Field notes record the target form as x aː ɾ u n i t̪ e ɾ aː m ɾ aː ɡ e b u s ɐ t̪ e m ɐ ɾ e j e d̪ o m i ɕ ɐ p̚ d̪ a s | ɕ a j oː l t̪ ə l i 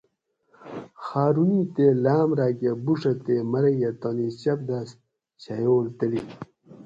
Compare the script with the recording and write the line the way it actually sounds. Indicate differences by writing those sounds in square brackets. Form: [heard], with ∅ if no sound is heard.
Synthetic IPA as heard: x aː ɾ u n i t̪ e [l] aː m ɾ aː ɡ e b u [ʂ] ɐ t̪ e m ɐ ɾ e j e [t̪] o [n] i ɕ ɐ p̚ d̪ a s | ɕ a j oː l t̪ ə l i